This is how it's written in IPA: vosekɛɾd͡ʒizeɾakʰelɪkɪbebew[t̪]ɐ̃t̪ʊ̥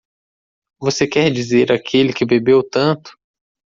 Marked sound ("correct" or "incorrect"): correct